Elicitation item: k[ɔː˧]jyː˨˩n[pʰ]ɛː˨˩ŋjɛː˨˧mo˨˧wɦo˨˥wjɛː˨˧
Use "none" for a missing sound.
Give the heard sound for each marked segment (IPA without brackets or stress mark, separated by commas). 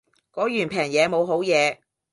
ɔː˨˥, pʰ